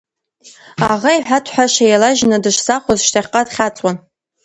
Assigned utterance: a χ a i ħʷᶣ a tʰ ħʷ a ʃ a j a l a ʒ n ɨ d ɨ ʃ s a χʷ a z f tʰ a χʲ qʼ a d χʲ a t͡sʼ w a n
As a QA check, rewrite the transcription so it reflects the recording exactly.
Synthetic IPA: a ʁ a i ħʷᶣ a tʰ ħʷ a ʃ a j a l a ʒ n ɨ d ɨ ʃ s a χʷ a z ʃ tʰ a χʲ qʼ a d χʲ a t͡sʼ w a n